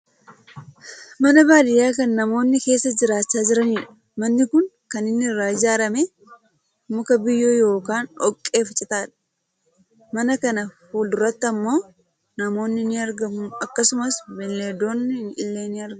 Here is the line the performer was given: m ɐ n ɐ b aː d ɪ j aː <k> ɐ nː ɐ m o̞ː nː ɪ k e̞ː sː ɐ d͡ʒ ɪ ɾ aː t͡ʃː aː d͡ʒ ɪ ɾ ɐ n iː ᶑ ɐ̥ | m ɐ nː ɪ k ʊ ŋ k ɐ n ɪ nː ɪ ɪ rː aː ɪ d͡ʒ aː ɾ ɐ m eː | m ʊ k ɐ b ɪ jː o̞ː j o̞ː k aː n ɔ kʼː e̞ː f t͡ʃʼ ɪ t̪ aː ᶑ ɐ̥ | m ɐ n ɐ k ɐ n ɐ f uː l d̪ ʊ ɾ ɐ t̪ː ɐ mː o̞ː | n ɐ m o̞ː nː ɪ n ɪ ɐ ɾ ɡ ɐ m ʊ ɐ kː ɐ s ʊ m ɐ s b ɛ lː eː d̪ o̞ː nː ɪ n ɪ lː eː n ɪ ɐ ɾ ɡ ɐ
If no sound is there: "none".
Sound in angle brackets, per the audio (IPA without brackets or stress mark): k